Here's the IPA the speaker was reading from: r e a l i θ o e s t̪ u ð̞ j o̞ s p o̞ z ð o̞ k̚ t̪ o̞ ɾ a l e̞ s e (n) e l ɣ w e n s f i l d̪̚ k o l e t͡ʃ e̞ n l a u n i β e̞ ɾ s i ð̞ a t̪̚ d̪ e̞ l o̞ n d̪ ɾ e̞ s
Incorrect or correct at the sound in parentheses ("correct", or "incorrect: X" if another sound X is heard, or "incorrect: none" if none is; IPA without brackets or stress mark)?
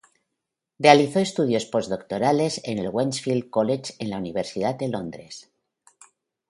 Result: correct